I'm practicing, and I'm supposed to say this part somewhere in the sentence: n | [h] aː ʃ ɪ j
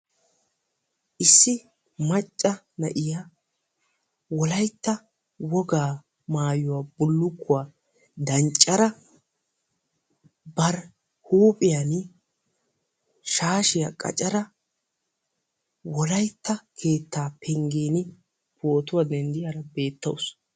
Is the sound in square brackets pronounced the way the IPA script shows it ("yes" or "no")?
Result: no